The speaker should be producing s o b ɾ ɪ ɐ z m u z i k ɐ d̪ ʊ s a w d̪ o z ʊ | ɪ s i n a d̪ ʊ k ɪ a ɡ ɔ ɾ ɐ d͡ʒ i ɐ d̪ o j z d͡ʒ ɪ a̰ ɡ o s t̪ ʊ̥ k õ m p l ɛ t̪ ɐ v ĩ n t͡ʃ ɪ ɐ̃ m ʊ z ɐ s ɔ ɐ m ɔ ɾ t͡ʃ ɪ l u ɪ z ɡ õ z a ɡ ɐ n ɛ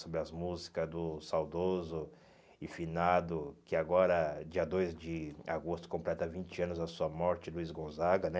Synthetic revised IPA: s o b ɾ ɪ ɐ z m u z i k ɐ d̪ ʊ s a w d̪ o z ʊ | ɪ f i n a d̪ ʊ k ɪ a ɡ ɔ ɾ ɐ d͡ʒ i ɐ d̪ o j z d͡ʒ ɪ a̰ ɡ o s t̪ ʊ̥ k õ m p l ɛ t̪ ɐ v ĩ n t͡ʃ ɪ ɐ̃ n ʊ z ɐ s u ɐ m ɔ ɾ t͡ʃ ɪ l u i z ɡ õ z a ɡ ɐ n ɛ